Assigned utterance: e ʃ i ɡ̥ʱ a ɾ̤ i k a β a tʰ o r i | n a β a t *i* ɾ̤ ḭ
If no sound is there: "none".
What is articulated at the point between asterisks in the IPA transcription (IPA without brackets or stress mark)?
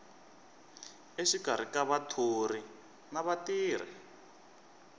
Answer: iː